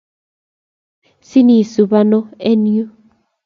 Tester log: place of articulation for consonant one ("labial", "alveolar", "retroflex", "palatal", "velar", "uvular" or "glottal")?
alveolar